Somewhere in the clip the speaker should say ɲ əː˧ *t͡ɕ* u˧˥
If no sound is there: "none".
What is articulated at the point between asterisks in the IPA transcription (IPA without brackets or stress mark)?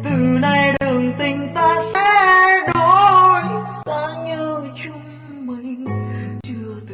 t͡ɕ